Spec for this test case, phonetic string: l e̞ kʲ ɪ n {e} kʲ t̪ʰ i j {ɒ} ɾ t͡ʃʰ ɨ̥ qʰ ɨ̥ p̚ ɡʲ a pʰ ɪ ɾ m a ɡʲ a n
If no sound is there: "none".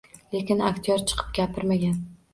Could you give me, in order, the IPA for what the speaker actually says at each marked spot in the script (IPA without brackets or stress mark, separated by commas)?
a, ɒ